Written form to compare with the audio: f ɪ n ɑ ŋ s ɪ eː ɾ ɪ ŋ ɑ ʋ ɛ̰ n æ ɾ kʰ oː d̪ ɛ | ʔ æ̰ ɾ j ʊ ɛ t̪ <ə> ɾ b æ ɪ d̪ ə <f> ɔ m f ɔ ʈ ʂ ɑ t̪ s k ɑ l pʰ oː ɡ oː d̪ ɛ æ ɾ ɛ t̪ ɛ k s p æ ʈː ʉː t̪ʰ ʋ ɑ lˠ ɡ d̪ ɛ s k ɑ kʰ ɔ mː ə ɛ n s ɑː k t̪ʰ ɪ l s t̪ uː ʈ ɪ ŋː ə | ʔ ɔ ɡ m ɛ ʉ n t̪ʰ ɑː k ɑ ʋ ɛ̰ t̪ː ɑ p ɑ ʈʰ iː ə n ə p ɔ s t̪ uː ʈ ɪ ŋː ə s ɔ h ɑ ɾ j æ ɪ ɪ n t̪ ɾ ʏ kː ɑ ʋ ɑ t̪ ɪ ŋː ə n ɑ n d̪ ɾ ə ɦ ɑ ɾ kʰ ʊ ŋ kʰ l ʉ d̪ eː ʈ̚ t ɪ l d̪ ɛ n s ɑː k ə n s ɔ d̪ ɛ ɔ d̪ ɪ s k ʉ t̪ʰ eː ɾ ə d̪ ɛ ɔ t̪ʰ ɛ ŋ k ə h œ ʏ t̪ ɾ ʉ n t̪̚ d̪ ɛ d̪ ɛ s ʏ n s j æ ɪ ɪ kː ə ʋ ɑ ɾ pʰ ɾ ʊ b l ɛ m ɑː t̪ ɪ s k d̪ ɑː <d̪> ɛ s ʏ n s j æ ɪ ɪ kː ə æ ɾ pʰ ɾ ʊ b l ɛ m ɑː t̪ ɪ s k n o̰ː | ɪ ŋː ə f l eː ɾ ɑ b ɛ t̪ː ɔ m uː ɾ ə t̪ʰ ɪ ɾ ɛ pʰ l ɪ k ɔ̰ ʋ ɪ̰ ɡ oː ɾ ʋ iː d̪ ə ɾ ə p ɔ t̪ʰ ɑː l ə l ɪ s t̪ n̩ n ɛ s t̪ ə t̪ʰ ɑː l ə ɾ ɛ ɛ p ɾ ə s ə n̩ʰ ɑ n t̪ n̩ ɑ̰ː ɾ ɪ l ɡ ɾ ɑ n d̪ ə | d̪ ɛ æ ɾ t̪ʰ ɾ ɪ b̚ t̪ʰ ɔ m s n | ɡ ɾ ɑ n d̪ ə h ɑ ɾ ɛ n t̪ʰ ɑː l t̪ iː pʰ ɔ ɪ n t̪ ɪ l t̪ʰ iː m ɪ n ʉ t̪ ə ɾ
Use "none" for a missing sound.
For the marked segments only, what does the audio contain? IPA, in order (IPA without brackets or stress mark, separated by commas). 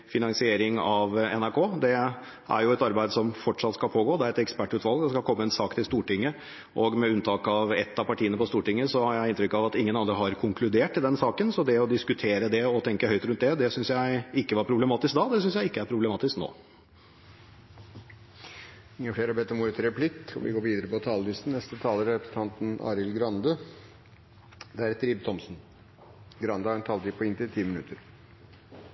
ɑ, s, d̪